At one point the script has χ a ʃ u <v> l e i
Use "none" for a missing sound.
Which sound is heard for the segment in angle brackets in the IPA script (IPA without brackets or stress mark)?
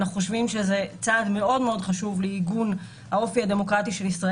v